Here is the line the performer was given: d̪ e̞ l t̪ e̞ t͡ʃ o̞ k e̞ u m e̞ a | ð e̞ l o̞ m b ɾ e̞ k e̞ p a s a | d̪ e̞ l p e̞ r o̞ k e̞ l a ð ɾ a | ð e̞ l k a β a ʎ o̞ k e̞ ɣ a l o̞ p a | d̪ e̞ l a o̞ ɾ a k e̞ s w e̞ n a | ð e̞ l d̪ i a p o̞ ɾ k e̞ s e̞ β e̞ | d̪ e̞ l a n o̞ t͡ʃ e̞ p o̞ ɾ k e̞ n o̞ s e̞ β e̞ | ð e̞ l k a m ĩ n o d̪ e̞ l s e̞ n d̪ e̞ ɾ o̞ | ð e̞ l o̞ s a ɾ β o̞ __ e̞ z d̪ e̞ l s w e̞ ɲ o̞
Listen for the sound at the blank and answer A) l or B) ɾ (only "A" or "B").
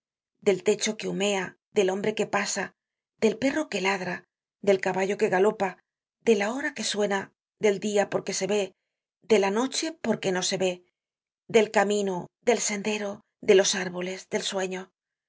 A